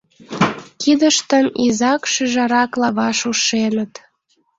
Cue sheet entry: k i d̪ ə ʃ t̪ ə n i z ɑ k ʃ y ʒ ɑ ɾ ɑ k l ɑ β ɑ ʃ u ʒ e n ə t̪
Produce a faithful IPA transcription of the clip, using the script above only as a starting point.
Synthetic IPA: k i d̪ ə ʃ t̪ ə n i z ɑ k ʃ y ʒ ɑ ɾ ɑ k l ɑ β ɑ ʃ u ʃ e n ə t̪